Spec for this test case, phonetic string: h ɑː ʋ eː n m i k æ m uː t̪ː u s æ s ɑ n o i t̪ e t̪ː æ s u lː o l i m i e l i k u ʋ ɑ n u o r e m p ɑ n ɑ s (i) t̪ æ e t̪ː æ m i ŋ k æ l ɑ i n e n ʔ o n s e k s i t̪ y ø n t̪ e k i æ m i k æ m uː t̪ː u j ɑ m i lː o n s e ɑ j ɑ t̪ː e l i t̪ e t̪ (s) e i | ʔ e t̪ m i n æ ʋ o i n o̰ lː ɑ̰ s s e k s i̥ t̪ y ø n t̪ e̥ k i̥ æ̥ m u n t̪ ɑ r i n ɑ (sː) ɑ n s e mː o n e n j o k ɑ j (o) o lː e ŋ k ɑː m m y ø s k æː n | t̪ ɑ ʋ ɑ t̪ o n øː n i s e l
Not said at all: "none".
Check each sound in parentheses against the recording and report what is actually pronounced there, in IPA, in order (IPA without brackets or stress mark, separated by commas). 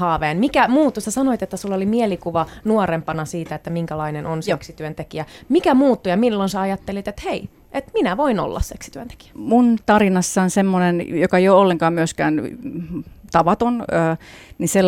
iː, h, sː, o